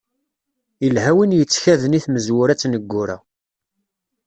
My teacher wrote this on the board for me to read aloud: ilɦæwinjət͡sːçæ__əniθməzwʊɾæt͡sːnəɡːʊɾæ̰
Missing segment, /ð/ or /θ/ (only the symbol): ð